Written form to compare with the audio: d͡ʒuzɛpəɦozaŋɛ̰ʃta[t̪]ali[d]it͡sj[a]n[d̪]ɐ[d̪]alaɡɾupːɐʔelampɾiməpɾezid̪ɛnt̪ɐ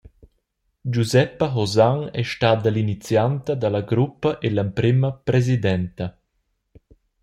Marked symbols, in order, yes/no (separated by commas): no, no, yes, no, yes